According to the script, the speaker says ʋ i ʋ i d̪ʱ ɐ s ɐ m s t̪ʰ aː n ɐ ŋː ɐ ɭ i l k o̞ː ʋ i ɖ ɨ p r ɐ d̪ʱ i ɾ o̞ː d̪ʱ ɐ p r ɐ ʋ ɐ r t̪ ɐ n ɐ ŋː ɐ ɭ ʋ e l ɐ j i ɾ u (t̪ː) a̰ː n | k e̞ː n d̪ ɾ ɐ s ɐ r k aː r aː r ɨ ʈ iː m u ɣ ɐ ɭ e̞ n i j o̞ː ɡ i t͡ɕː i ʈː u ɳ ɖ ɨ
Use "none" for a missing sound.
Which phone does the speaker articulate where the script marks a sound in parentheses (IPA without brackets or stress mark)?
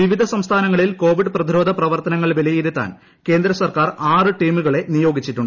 t̪ː